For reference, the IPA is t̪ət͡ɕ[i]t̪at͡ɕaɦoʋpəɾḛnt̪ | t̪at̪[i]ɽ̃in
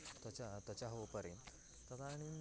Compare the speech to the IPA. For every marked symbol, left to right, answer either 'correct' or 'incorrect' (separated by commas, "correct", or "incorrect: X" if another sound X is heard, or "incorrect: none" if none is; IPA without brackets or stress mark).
incorrect: a, incorrect: a